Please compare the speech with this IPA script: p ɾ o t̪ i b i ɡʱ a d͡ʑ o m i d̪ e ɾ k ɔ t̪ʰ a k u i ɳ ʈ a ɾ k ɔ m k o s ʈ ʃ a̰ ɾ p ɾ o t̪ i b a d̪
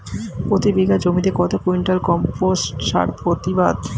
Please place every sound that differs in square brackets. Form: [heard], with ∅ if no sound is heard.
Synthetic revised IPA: p ɾ o t̪ i b i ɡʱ a d͡ʑ o m i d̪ e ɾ k ɔ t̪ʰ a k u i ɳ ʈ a [l] k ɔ m [p] o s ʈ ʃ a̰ ɾ p ɾ o t̪ i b a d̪